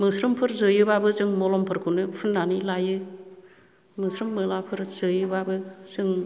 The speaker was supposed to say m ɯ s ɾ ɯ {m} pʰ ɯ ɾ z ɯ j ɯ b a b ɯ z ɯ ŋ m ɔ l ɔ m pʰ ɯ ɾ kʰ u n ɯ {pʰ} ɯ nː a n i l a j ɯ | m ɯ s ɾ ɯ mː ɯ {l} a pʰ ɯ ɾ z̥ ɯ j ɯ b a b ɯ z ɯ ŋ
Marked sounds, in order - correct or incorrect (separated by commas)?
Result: correct, correct, correct